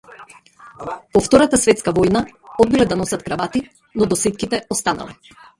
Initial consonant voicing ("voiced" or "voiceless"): voiceless